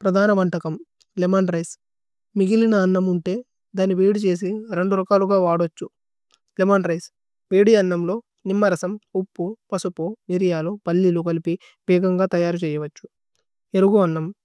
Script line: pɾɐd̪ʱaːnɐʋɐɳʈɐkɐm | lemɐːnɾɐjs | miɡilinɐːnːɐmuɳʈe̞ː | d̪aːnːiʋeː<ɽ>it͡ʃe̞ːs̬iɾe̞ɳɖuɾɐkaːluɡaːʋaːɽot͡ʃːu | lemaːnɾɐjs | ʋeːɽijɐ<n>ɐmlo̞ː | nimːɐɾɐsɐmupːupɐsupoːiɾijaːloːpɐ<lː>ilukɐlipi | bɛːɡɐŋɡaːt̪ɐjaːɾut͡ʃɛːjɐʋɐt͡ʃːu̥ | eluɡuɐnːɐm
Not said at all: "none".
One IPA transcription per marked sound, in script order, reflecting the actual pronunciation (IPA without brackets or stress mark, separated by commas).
ɽ, nː, lː